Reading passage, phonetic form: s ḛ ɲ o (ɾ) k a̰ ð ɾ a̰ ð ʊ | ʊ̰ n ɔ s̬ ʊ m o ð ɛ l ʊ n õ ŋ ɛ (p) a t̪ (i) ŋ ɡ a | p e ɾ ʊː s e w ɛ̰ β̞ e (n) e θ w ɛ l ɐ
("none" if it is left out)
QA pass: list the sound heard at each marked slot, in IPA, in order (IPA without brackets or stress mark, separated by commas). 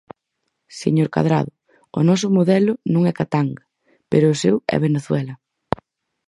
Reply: ɾ, k, a, n